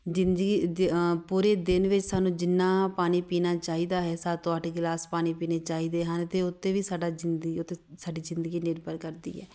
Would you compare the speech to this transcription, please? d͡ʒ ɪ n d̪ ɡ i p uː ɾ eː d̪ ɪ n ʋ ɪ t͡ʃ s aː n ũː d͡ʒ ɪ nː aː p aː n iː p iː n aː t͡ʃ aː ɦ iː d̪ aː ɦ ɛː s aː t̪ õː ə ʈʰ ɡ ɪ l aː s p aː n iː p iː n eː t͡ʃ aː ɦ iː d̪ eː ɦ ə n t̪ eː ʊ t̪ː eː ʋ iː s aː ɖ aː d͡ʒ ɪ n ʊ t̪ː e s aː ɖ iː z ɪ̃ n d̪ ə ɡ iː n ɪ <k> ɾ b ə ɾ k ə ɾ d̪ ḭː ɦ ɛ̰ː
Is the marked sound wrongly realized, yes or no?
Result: yes